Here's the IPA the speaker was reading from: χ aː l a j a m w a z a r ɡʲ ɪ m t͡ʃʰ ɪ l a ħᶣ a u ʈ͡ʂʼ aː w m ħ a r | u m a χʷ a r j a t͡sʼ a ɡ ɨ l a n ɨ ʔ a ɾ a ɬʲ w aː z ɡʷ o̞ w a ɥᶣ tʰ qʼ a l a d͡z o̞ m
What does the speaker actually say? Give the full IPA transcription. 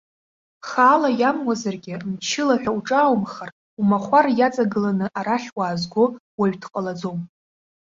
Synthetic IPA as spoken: χ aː l a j a m w a z a r ɡʲ ɪ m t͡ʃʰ ɪ l a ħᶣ a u ʈ͡ʂʼ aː w m χ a r | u m a χʷ a r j a t͡sʼ a ɡ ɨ l a n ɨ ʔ a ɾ a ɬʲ w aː z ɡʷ o̞ w a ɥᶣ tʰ qʼ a l a d͡z o̞ m